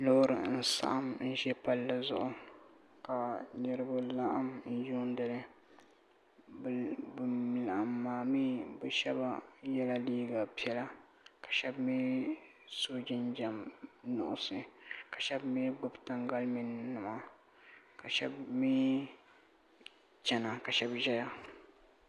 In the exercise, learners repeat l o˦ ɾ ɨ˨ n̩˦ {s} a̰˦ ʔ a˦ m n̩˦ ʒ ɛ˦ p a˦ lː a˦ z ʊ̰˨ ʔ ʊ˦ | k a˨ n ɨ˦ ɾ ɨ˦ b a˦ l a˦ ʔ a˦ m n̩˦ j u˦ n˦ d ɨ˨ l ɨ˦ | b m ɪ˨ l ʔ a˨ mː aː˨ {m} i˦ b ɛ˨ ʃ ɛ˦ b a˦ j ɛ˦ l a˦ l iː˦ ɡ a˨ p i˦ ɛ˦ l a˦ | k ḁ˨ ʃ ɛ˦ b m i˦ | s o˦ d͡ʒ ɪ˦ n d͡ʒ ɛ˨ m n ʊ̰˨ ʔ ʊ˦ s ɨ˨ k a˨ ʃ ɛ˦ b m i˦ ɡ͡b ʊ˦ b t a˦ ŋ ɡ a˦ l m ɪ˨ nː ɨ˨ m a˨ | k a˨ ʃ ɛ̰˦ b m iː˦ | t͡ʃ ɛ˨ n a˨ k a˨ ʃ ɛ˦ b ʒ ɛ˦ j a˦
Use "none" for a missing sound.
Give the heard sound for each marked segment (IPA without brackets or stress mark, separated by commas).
s, m